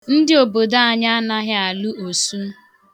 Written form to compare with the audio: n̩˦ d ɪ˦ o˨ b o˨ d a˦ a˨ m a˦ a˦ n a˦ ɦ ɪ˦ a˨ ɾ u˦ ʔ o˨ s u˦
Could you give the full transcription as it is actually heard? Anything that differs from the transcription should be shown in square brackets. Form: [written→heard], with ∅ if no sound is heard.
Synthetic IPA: n̩˦ d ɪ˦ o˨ b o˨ d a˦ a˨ [m→ɲ] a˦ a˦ n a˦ ɦ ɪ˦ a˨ [ɾ→l] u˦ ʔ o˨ s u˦